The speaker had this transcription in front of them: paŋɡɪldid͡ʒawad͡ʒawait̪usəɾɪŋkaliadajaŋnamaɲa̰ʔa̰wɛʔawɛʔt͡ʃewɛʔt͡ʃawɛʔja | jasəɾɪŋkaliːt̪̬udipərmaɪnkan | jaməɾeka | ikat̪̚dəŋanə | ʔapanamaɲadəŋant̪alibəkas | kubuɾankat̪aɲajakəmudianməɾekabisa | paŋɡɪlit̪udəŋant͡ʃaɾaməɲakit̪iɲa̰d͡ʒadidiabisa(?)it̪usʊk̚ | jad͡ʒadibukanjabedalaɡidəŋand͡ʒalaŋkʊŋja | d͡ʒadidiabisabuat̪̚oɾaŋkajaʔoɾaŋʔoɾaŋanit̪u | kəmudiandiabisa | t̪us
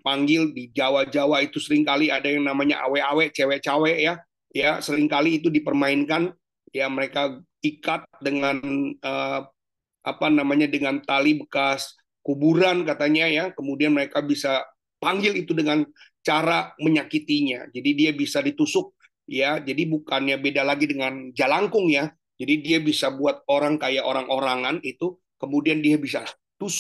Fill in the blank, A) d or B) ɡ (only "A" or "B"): A